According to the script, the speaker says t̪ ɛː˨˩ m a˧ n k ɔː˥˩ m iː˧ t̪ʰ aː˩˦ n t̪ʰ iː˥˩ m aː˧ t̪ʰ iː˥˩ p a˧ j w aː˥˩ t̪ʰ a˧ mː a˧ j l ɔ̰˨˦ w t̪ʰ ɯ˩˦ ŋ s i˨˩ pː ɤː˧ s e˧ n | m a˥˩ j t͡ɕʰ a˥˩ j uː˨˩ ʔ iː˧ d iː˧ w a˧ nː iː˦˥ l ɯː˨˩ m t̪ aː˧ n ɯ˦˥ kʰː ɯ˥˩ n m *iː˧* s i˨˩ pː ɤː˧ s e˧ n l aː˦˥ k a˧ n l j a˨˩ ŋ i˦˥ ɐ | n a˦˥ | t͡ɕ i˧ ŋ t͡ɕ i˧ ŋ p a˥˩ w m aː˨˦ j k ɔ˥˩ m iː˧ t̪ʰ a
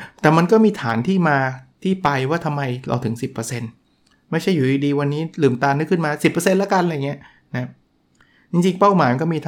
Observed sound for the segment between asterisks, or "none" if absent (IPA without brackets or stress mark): aː˧